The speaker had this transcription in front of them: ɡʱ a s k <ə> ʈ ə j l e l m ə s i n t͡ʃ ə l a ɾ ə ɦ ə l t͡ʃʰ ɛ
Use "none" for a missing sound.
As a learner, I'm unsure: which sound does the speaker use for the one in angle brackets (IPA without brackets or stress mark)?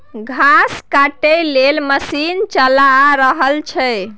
a